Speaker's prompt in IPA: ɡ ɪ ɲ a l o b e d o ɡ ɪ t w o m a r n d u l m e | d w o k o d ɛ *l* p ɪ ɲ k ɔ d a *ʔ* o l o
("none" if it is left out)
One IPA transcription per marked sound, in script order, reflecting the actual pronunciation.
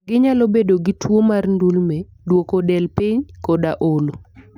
l, ʔ

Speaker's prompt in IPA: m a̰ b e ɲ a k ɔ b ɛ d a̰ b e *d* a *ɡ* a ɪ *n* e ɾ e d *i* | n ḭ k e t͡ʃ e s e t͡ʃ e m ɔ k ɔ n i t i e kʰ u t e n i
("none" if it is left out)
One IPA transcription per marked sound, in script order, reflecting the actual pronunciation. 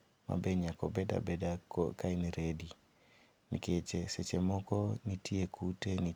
d, k, n, i

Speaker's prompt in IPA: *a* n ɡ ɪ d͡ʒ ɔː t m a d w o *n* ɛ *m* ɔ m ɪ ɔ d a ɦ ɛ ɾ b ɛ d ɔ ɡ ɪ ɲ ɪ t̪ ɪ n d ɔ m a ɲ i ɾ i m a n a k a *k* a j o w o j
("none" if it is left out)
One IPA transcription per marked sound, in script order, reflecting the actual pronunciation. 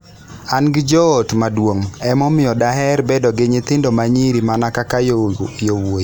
a, ŋ, m, k

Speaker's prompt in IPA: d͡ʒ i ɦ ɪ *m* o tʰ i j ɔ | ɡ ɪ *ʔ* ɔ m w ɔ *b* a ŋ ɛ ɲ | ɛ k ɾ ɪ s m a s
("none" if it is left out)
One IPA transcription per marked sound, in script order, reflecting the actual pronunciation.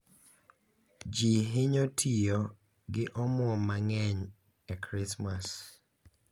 ɲ, ʔ, m

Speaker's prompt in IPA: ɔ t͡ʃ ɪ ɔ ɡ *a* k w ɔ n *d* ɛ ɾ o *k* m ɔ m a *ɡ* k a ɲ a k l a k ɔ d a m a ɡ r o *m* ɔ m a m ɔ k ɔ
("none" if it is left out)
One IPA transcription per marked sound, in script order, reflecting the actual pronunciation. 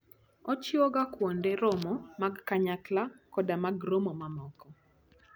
a, d, none, ɡ, m

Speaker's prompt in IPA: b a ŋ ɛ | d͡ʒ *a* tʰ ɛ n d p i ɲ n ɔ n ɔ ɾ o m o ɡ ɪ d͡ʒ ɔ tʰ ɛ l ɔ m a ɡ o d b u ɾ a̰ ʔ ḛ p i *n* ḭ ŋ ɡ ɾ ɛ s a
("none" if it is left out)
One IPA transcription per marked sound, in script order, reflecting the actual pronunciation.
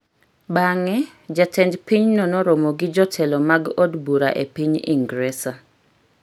a, ɲ

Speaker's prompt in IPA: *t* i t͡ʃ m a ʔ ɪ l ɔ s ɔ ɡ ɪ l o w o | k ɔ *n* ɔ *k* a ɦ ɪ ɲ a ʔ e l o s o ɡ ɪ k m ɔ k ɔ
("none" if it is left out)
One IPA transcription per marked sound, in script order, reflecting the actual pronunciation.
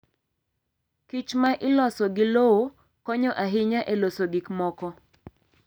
k, ɲ, ʔ

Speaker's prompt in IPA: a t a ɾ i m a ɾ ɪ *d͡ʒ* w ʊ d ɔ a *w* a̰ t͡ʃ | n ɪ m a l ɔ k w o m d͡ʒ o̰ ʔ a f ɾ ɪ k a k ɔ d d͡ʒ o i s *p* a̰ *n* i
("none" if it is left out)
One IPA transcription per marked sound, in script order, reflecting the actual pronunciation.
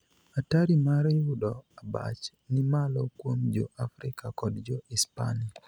none, b, p, n

